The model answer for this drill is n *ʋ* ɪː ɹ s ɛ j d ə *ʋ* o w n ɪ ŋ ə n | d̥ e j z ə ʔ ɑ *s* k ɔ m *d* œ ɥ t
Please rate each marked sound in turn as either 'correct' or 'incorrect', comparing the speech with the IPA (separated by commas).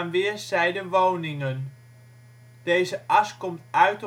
correct, correct, correct, incorrect